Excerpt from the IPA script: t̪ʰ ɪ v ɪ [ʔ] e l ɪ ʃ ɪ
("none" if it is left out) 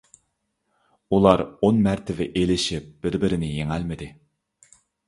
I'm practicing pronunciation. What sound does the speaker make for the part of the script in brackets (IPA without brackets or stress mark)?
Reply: ʔ